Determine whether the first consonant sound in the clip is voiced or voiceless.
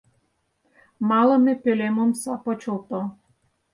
voiced